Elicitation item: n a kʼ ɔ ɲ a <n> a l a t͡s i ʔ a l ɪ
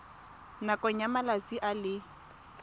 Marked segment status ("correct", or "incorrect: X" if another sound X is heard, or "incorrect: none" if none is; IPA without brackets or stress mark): incorrect: m